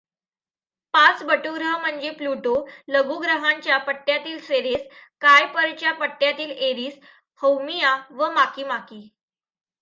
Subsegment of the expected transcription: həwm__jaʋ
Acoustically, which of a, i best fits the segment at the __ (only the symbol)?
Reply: i